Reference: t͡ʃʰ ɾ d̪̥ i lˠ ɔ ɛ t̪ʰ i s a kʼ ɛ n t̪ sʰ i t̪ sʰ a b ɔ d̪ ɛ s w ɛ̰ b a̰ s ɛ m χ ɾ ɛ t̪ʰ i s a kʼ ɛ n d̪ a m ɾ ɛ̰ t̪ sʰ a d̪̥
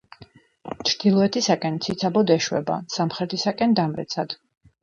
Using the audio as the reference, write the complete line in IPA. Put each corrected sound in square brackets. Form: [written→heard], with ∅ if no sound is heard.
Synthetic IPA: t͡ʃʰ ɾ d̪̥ i lˠ ɔ ɛ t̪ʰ i s a kʼ ɛ n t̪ sʰ i t̪ sʰ a b ɔ d̪ ɛ [s→ʃ] w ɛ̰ b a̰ s [ɛ→a] m χ ɾ ɛ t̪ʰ i s a kʼ ɛ n d̪ a m ɾ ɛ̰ t̪ sʰ a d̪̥